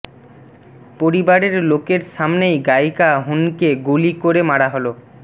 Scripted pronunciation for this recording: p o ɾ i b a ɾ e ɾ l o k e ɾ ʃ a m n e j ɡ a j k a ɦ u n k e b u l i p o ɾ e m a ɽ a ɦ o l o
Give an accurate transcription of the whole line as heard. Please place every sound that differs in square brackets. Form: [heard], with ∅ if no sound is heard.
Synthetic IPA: p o ɾ i b a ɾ e ɾ l o k e ɾ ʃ a m n e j ɡ a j k a ɦ u n k e [ɡ] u l i [k] o ɾ e m a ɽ a ɦ o l o